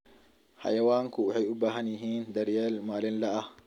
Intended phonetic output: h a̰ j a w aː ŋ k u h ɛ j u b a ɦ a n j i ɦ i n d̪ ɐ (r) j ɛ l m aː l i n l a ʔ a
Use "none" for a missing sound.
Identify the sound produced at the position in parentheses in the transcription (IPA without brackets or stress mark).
ɾ